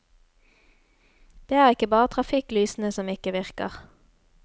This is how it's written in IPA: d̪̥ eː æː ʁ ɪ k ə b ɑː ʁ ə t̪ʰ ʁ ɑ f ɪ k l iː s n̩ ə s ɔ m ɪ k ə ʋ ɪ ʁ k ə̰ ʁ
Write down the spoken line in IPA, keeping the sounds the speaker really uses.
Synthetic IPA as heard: d̪̥ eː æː ʁ ɪ k ə b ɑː ʁ ə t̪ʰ ʁ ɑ f ɪ k l yː s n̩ ə s ɔ m ɪ k ə ʋ ɪ ʁ k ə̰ ʁ